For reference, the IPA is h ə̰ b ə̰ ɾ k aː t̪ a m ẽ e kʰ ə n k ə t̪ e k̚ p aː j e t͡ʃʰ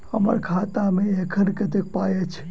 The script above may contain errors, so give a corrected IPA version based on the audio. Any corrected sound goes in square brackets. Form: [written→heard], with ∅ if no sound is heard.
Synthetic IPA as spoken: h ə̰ [b→m] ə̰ ɾ [k→kʰ] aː t̪ a m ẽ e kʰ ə n k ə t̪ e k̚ p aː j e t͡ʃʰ